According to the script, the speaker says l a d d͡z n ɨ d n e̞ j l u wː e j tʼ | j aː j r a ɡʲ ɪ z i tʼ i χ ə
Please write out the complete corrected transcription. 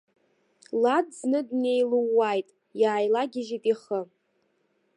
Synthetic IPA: l a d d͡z n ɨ d n e̞ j l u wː a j tʼ | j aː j l a ɡʲ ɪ ʒ i tʼ i χ ə